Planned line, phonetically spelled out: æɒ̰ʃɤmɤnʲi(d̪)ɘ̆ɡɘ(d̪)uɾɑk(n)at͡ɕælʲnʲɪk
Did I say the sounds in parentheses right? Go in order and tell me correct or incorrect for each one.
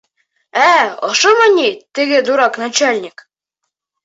incorrect, correct, correct

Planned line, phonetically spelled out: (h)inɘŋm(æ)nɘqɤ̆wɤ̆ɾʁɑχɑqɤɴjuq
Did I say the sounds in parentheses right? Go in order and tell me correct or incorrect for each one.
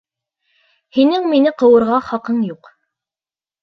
correct, incorrect

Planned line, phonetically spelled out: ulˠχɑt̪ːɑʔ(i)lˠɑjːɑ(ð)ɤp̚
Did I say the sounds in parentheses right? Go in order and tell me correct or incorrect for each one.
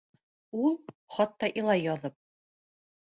correct, correct

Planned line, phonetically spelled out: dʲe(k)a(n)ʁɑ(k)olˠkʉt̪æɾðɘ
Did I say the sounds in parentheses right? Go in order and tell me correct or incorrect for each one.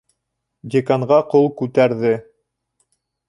correct, incorrect, incorrect

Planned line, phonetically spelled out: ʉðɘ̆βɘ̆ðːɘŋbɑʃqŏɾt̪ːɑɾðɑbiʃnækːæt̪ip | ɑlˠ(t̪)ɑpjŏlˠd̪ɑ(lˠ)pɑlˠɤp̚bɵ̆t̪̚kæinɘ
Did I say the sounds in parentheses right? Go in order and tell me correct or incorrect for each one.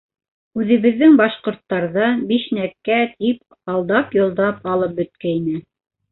incorrect, incorrect

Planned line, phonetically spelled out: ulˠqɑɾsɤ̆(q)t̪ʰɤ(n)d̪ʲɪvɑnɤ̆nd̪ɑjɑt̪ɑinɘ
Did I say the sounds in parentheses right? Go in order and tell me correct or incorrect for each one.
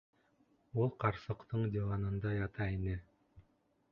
correct, incorrect

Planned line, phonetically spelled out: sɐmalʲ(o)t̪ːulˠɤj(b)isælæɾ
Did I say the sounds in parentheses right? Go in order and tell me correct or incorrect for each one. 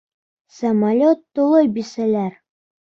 correct, correct

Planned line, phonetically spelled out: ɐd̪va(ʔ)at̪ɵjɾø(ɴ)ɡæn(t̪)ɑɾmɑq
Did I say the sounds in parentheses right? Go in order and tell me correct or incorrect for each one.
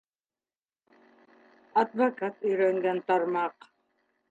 incorrect, incorrect, correct

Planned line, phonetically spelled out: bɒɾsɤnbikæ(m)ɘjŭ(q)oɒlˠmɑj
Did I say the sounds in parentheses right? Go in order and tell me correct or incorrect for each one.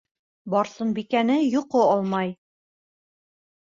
incorrect, correct

